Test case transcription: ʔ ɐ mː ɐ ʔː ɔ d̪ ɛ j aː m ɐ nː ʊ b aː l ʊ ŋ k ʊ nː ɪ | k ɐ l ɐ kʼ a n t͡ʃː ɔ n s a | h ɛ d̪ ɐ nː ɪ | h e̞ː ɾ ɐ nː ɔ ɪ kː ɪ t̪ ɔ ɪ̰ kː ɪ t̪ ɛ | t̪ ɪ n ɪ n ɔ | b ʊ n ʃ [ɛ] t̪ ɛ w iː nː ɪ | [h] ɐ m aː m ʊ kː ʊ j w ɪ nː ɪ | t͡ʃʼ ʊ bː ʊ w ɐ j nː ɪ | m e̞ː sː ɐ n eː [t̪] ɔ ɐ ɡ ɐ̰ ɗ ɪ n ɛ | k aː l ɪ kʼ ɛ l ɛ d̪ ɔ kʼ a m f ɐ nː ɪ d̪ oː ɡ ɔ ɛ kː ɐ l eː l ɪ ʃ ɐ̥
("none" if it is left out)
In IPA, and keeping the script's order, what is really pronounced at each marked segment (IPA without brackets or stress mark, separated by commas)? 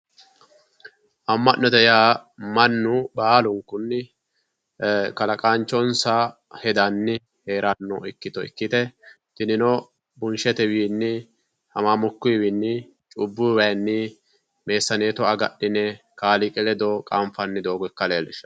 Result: ɛ, h, t̪